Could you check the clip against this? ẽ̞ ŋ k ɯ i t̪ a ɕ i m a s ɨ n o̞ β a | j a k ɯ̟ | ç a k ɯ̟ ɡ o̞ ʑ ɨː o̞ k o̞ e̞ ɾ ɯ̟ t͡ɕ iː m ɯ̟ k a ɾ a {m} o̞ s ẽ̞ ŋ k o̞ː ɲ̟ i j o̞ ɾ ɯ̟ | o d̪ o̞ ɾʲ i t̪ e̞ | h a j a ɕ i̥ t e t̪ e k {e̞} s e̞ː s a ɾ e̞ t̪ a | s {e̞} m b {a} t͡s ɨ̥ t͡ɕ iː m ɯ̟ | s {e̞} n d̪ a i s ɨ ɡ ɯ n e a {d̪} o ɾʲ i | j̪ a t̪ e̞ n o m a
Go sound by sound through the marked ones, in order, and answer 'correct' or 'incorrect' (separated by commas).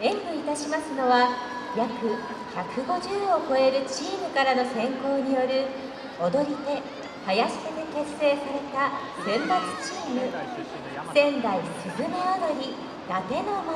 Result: incorrect, correct, incorrect, correct, incorrect, correct